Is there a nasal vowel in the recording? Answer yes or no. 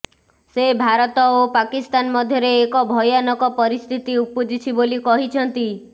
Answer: no